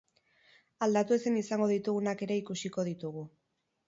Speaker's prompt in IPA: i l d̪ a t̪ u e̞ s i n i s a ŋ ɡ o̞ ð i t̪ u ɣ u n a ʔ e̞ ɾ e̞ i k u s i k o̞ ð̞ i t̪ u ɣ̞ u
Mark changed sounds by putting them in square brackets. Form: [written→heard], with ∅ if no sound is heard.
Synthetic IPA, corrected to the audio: [i→a] l d̪ a t̪ u e̞ s [i→e] n i s a ŋ ɡ o̞ ð i t̪ u ɣ u n a [ʔ→k] e̞ ɾ e̞ i k u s i k o̞ ð̞ i t̪ u ɣ̞ u

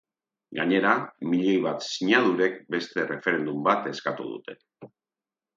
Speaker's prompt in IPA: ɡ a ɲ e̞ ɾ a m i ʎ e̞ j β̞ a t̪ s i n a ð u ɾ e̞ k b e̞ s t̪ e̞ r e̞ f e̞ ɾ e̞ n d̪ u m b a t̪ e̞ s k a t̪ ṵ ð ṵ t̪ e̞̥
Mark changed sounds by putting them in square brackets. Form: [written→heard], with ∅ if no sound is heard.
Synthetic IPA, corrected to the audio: ɡ a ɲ e̞ ɾ a m i ʎ e̞ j β̞ a t̪ s i [n→ɲ] a ð u ɾ e̞ k b e̞ s t̪ e̞ r e̞ f e̞ ɾ e̞ n d̪ u m b a t̪ e̞ s k a t̪ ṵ ð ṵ t̪ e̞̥

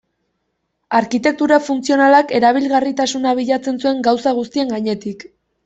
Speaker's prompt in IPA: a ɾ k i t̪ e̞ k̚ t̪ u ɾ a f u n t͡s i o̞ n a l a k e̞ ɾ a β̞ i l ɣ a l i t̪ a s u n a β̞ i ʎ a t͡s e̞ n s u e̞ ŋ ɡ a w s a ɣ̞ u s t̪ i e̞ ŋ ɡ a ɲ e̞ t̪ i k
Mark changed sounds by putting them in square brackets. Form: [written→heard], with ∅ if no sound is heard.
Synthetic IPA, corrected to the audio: a ɾ k i t̪ e̞ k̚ t̪ u ɾ a f u n t͡s i o̞ n a l a k e̞ ɾ a β̞ i l ɣ a [l→r] i t̪ a s u n a β̞ i ʎ a t͡s e̞ n s u e̞ ŋ ɡ a w s a ɣ̞ u s t̪ i e̞ ŋ ɡ a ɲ e̞ t̪ i k

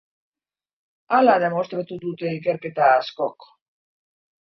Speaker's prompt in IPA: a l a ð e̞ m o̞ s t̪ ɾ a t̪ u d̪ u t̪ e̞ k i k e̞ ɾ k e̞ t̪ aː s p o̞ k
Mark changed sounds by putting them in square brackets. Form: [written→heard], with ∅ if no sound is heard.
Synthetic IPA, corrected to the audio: a l a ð e̞ m o̞ s t̪ ɾ a t̪ u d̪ u t̪ e̞ [k→∅] i k e̞ ɾ k e̞ t̪ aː s [p→k] o̞ k

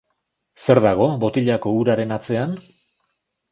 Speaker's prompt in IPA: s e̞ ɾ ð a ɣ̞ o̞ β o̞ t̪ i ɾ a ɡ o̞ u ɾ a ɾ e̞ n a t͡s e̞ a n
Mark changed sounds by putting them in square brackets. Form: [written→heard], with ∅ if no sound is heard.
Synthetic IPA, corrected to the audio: s e̞ ɾ ð a ɣ̞ o̞ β o̞ t̪ i [ɾ→ʎ] a [ɡ→k] o̞ u ɾ a ɾ e̞ n a t͡s e̞ a n

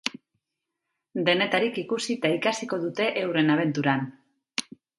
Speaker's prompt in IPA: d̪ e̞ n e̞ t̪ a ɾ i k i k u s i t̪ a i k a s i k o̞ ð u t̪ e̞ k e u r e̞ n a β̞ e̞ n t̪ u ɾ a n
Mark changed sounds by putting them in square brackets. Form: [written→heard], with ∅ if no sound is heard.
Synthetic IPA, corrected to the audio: d̪ e̞ n e̞ t̪ a ɾ i k i k u s i t̪ a i k a s i k o̞ ð u t̪ e̞ [k→ʔ] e [u→w] r e̞ n a β̞ e̞ n t̪ u ɾ a n

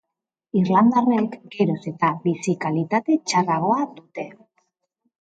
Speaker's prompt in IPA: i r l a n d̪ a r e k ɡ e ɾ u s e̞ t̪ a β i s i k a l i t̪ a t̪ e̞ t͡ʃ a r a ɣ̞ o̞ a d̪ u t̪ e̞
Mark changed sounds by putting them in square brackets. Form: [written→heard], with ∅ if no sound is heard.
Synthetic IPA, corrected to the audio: i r l a n d̪ a r e k ɡ e ɾ [u→o] s e̞ t̪ a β i s i k a l i t̪ a t̪ e̞ t͡ʃ a r a ɣ̞ o̞ a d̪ u t̪ e̞

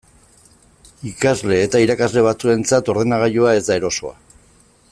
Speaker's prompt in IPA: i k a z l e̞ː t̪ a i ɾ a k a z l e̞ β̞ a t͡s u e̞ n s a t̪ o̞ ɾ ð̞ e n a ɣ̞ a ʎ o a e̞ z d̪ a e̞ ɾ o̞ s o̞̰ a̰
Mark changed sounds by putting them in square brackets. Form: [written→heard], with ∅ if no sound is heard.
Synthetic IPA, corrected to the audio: i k a z l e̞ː t̪ a i ɾ a k a z l e̞ β̞ a t͡s u e̞ n [s→t͡s] a t̪ o̞ ɾ ð̞ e n a ɣ̞ a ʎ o a e̞ z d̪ a e̞ ɾ o̞ s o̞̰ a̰

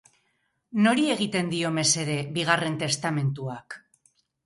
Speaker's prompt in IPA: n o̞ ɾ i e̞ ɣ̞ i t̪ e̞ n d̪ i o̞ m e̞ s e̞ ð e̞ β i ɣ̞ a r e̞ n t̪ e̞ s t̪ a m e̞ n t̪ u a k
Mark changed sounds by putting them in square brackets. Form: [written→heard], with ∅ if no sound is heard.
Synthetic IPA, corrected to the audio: n o̞ ɾ i e̞ ɣ̞ i t̪ e̞ n d̪ i o̞ m e̞ s e̞ ð e̞ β i ɣ̞ a r e̞ n t̪ e̞ s t̪ a m e̞ n t̪ u a k

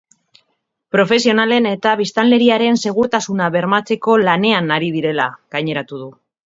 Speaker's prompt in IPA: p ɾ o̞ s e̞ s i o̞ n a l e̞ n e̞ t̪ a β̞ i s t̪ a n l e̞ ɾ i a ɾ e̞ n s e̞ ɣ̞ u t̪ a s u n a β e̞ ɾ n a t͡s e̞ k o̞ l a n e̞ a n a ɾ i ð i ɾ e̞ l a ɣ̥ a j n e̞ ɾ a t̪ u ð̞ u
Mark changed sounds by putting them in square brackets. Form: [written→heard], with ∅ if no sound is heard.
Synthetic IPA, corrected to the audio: p ɾ o̞ [s→f] e̞ s i o̞ n a l e̞ n e̞ t̪ a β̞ i s t̪ a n l e̞ ɾ i a ɾ e̞ n s e̞ ɣ̞ u t̪ a s u n a β e̞ ɾ [n→m] a t͡s e̞ k o̞ l a n e̞ a n a ɾ i ð i ɾ e̞ l a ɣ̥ a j [n→ɲ] e̞ ɾ a t̪ u ð̞ u

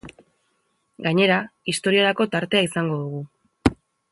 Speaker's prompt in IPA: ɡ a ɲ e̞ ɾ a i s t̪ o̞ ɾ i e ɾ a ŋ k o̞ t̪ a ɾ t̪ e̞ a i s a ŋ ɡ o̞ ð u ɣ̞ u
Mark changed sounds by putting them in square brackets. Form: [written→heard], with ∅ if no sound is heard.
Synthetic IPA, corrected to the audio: ɡ a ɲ e̞ ɾ a i s t̪ o̞ ɾ i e ɾ a [ŋ→∅] k o̞ t̪ a ɾ t̪ e̞ a i s a ŋ ɡ o̞ ð u ɣ̞ u

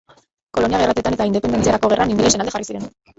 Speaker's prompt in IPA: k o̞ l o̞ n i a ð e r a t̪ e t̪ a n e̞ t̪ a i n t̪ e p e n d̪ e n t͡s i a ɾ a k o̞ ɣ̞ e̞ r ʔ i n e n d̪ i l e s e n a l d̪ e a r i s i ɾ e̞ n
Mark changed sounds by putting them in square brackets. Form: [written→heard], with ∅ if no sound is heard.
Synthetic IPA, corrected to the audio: k o̞ l o̞ n i a [ð→ɣ] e r a t̪ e t̪ a n e̞ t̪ a i n [t̪→d̪] e p e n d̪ e n t͡s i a ɾ a k o̞ ɣ̞ e̞ r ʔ [i→a] n [e→i] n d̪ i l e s e n a l d̪ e a r i s i ɾ e̞ n

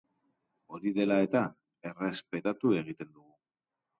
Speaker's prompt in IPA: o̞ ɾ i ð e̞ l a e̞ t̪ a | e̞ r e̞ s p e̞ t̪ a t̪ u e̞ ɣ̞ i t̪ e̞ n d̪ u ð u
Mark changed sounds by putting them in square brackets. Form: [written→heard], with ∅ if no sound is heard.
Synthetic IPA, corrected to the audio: o̞ ɾ i ð e̞ l a e̞ t̪ a | e̞ r e̞ s p e̞ t̪ a t̪ u e̞ ɣ̞ i t̪ e̞ n d̪ u [ð→ɣ] u

